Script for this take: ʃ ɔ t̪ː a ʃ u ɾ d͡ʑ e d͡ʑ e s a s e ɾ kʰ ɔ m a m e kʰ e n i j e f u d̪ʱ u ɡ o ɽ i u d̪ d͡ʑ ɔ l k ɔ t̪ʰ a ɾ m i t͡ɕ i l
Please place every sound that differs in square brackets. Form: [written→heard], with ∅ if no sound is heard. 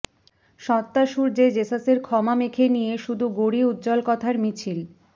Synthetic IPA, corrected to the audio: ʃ ɔ t̪ː a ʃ u ɾ d͡ʑ e d͡ʑ e s a s e ɾ kʰ ɔ m a m e kʰ e n i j e [f→ʃ] u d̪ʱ u ɡ o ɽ i u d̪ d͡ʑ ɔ l k ɔ t̪ʰ a ɾ m i [t͡ɕ→t͡ɕʰ] i l